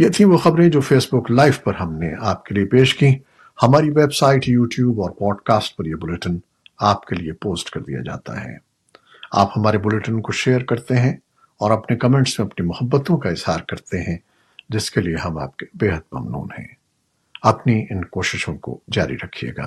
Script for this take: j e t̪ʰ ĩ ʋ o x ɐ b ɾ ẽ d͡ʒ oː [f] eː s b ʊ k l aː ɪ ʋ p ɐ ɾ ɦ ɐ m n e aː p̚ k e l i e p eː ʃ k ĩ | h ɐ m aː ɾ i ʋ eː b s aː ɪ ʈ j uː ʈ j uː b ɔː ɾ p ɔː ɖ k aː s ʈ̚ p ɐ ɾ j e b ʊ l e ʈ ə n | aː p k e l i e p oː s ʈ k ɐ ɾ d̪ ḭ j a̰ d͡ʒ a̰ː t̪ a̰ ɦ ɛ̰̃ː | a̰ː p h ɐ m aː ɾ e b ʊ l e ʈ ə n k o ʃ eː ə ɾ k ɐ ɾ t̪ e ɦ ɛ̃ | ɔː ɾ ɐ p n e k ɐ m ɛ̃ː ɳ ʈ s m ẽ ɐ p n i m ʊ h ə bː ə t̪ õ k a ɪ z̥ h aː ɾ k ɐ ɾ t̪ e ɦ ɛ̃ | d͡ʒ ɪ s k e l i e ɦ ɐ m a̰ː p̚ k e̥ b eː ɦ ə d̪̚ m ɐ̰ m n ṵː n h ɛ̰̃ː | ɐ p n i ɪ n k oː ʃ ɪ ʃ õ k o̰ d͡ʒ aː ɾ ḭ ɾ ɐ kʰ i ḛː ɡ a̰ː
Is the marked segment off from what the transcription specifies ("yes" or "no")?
no